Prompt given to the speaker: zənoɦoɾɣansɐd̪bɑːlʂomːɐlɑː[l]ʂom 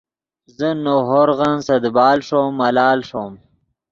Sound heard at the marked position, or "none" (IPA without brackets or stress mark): l